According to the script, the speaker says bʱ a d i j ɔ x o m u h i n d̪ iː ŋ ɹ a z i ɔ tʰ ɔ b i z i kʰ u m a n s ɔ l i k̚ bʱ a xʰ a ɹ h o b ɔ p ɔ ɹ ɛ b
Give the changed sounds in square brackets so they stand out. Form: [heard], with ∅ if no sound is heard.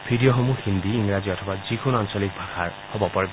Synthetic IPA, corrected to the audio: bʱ [i] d i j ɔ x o m u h i n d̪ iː ŋ ɹ a z i ɔ tʰ ɔ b [a] z i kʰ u [n] a n s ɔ l i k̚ bʱ a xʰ a ɹ h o b ɔ p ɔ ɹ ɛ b